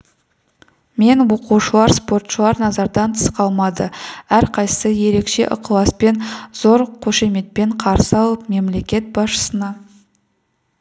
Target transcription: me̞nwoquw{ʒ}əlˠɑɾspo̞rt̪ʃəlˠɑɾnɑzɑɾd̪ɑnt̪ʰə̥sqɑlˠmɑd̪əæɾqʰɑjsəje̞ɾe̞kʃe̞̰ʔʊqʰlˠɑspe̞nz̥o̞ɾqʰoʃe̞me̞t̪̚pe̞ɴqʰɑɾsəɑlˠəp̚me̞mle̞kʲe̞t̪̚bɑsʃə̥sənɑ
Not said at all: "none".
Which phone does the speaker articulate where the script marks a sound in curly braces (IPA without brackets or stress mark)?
ʃ